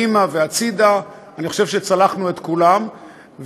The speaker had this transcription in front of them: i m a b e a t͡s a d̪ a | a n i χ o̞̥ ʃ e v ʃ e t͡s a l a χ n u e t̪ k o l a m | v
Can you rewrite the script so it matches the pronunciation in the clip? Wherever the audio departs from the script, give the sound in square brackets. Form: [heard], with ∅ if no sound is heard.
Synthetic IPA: i m a [v] e a t͡s [i] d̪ a | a n i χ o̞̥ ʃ e v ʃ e t͡s a l a χ n u e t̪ k [u] l a m | v